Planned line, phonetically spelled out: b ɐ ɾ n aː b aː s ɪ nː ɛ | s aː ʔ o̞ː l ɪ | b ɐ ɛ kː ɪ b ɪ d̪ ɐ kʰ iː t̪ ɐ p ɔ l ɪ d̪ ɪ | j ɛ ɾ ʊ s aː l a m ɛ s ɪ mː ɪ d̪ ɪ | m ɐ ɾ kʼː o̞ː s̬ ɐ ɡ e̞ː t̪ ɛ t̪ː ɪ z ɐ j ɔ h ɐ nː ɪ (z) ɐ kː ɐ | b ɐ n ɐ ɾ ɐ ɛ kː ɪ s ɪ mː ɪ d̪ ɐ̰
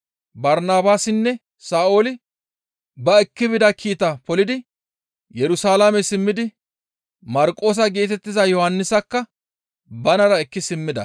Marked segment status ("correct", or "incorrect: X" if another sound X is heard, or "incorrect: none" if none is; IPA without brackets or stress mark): incorrect: s